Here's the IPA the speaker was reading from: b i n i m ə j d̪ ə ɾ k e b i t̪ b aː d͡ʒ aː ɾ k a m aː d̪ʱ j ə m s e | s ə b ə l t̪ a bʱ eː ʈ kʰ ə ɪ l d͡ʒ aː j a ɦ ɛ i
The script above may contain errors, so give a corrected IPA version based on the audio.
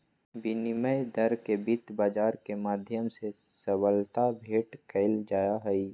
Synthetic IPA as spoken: b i n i m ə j d̪ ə ɾ k e b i t̪ b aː d͡ʒ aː ɾ k e m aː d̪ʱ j ə m s e | s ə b ə l t̪ a bʱ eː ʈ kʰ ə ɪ l d͡ʒ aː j a ɦ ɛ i